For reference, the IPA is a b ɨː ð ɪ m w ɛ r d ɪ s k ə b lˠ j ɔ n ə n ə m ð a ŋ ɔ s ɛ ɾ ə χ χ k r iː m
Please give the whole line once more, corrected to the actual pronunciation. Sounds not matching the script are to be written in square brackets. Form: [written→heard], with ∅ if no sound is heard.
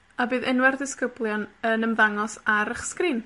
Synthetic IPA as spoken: a b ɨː ð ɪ [m→n] w ɛ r d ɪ s k ə b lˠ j ɔ n ə n ə m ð a ŋ ɔ s [ɛ→a] ɾ ə χ [χ→s] k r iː [m→n]